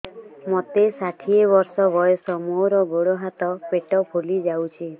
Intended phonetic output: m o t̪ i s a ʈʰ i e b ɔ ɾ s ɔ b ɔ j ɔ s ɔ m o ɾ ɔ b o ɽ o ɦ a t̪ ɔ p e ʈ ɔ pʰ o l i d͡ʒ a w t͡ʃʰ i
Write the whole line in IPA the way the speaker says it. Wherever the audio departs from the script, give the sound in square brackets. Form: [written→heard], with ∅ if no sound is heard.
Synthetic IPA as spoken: m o t̪ [i→e] s a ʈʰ i e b ɔ ɾ s ɔ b ɔ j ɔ s ɔ m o ɾ ɔ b o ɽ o ɦ a t̪ ɔ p e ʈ ɔ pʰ o l i d͡ʒ a w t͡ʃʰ i